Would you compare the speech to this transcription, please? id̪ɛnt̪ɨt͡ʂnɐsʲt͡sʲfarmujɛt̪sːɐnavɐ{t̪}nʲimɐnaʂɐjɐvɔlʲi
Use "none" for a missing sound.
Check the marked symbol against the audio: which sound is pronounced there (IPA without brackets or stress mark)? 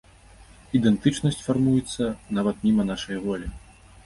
t̪